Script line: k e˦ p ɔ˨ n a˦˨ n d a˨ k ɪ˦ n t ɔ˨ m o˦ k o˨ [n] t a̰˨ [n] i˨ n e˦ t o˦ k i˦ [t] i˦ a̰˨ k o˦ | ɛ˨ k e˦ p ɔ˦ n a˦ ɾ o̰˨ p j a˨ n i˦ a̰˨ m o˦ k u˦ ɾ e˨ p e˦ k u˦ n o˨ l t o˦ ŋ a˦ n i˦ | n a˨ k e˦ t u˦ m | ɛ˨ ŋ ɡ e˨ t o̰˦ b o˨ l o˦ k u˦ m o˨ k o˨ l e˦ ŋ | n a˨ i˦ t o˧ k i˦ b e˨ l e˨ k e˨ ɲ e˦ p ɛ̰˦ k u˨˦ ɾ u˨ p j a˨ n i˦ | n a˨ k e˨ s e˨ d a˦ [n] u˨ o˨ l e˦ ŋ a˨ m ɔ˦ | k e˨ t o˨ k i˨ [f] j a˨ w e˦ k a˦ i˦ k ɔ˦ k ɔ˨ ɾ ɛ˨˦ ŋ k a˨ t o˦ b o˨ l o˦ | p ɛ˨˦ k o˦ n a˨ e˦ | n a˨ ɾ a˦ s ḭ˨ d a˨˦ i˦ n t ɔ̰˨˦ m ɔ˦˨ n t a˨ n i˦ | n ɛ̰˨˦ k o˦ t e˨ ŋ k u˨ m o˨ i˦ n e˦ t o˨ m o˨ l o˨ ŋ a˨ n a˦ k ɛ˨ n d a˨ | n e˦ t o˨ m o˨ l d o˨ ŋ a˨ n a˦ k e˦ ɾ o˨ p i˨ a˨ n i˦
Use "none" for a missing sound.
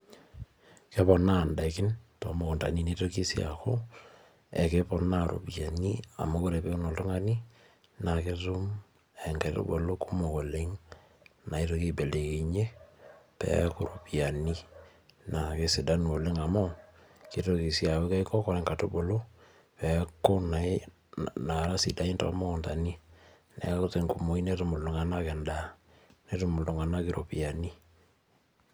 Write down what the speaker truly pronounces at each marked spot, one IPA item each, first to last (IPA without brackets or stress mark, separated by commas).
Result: n, n, s, n, s